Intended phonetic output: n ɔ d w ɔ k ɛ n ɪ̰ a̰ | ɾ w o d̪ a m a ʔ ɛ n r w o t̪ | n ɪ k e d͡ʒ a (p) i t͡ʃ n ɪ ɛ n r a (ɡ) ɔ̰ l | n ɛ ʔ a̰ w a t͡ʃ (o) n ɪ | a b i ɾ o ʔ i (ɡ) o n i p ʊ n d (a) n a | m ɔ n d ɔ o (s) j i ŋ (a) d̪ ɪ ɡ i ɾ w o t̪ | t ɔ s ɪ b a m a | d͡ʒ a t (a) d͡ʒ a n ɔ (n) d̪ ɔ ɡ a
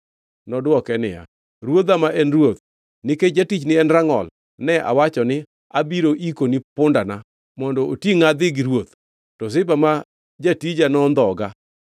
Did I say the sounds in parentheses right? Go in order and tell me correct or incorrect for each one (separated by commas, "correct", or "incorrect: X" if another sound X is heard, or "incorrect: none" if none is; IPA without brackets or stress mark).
incorrect: t, incorrect: ŋ, incorrect: ɔ, incorrect: k, correct, incorrect: t, correct, incorrect: i, correct